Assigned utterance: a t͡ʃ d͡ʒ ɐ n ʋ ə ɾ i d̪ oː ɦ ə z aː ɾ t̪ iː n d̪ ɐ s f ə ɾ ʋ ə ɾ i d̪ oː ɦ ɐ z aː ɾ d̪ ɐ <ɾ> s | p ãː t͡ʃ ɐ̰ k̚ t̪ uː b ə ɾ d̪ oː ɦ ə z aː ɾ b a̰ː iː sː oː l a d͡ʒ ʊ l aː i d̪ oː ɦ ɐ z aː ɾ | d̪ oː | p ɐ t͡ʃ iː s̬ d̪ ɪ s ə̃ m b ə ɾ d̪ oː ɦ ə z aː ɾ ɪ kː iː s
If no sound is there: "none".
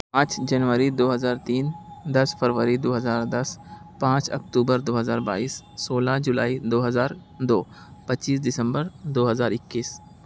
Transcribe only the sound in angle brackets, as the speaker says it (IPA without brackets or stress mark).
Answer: none